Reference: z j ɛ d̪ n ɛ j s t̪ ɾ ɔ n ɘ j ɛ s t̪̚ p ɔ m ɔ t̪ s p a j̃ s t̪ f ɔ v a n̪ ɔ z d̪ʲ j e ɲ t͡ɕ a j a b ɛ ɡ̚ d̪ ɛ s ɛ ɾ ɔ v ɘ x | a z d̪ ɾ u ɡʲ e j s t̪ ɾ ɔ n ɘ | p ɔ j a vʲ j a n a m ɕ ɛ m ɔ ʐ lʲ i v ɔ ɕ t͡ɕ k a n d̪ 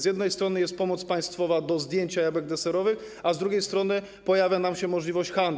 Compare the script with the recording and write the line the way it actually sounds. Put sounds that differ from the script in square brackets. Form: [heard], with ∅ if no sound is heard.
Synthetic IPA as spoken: z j ɛ d̪ n ɛ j s t̪ ɾ ɔ n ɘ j ɛ s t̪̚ p ɔ m ɔ t̪ s p a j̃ s t̪ f ɔ v a [d̪] ɔ z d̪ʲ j e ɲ t͡ɕ a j a b ɛ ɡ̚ d̪ ɛ s ɛ ɾ ɔ v ɘ x | a z d̪ ɾ u ɡʲ e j s t̪ ɾ ɔ n ɘ | p ɔ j a vʲ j a n a m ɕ ɛ m ɔ ʐ lʲ i v ɔ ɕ t͡ɕ [x] a n d̪